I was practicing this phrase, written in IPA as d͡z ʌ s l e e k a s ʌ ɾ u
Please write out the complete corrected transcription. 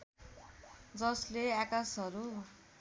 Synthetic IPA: d͡z ʌ s l e a k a s ʌ ɾ u